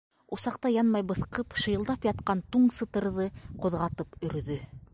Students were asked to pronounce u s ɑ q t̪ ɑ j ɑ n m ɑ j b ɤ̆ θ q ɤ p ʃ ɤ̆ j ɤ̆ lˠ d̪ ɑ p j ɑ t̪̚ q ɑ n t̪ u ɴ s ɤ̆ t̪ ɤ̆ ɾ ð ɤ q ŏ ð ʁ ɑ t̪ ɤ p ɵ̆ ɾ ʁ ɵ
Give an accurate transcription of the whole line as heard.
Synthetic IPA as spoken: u s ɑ q t̪ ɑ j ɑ n m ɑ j b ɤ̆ θ q ɤ p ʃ ɤ̆ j ɤ̆ lˠ d̪ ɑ p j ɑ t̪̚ q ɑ n t̪ u ɴ s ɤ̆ t̪ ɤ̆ ɾ ð ɤ q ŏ ð ʁ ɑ t̪ ɤ p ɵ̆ ɾ ð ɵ